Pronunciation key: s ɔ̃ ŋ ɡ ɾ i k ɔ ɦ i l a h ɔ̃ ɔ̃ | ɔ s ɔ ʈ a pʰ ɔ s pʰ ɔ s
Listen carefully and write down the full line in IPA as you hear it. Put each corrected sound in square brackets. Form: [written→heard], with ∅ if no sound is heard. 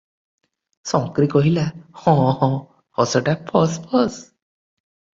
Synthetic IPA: s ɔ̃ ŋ [ɡ→k] ɾ i k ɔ ɦ i l a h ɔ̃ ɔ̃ | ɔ s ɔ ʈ a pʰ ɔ s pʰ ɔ s